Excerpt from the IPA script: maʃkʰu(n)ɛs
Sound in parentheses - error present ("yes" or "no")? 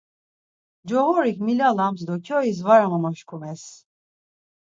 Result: yes